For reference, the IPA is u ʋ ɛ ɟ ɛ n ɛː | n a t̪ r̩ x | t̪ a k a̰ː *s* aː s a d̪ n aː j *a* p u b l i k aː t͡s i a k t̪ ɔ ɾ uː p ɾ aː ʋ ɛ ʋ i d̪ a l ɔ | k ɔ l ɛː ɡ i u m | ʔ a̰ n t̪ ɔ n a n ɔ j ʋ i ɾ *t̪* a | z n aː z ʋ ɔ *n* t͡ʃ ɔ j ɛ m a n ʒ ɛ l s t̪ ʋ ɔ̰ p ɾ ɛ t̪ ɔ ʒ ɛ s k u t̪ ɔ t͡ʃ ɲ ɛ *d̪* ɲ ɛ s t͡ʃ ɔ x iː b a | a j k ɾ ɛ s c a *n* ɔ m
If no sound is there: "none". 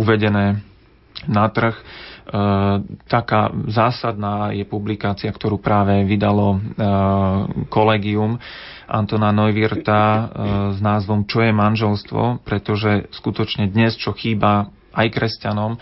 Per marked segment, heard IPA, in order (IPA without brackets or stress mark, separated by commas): z, ɛ, t̪, m, d̪, n